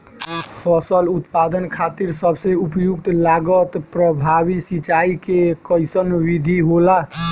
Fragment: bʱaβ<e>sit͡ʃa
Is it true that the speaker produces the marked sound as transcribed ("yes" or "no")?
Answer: no